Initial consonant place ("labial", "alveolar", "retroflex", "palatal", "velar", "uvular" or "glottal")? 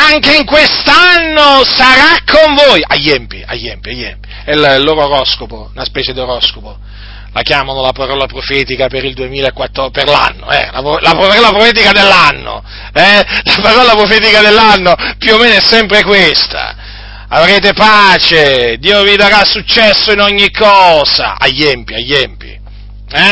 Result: velar